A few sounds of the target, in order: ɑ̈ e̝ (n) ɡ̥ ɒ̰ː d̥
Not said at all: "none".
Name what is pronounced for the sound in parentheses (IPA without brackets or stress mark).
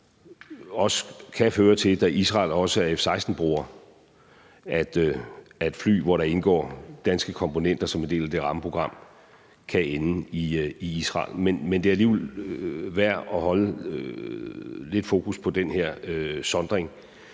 n